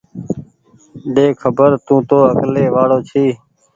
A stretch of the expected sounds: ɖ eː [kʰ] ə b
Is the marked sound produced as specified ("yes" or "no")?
yes